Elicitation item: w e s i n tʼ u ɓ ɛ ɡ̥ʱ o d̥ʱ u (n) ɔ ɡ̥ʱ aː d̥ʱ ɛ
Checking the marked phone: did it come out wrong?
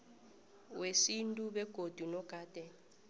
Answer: no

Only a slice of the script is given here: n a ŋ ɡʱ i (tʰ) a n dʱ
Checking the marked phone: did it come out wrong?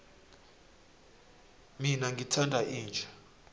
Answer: no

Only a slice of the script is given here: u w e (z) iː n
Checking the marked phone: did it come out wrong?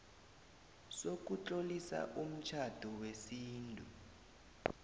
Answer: yes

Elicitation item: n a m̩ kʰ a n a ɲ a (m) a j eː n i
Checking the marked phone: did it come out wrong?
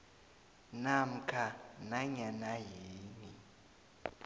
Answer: yes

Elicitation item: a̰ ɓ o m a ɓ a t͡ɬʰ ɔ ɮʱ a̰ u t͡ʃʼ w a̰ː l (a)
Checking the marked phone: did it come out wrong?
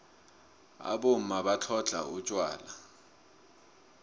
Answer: no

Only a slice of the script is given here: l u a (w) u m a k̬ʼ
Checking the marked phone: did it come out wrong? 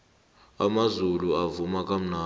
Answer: yes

